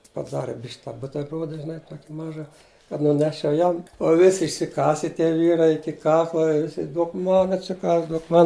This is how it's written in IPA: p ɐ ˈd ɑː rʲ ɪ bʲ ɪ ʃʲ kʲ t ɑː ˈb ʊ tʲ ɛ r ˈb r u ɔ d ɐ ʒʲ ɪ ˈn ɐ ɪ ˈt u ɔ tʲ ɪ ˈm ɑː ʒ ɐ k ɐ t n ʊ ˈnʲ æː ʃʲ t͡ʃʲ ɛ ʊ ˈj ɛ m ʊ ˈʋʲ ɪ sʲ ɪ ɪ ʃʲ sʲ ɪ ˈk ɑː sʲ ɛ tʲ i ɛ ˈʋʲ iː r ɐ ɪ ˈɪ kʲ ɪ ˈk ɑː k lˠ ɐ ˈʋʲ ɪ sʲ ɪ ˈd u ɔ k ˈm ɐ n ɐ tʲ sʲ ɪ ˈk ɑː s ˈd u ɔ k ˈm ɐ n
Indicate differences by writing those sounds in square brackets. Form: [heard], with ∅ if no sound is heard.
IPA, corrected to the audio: p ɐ ˈd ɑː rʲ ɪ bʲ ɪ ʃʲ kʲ t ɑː ˈb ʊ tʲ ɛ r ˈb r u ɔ d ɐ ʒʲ ɪ ˈn ɐ ɪ ˈt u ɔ [kʲ] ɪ ˈm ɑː ʒ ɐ k ɐ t n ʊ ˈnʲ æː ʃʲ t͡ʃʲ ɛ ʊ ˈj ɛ m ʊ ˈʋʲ ɪ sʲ ɪ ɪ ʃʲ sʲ ɪ ˈk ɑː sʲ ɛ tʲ i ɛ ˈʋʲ iː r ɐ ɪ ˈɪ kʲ ɪ ˈk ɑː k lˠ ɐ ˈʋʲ ɪ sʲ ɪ ˈd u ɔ k ˈm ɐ n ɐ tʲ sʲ ɪ ˈk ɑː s ˈd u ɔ k ˈm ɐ n